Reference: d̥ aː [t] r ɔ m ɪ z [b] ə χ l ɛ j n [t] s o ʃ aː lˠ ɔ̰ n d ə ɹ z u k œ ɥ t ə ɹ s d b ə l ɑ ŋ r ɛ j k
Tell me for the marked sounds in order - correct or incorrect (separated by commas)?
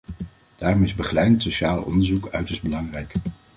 incorrect, correct, correct